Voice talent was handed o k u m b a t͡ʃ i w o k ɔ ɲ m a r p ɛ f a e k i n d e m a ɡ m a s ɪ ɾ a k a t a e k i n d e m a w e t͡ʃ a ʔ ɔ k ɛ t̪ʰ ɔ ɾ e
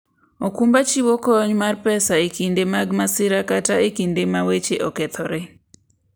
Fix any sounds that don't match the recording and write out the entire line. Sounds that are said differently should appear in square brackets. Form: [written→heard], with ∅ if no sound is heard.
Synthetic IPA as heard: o k u m b a t͡ʃ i w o k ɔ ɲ m a r p ɛ [f→s] a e k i n d e m a ɡ m a s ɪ ɾ a k a t a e k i n d e m a w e t͡ʃ [a→e] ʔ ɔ k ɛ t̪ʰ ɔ ɾ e